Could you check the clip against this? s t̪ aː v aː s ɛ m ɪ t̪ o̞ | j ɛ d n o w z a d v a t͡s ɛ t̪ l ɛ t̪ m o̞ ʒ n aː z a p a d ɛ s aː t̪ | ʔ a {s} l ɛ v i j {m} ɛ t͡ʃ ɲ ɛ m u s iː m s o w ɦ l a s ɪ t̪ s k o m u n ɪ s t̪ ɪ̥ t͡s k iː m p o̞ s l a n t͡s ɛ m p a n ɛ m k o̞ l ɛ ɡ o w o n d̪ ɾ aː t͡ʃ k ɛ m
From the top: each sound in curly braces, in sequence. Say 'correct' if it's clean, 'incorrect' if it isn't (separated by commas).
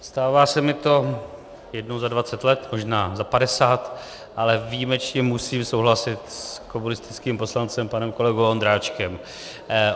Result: incorrect, correct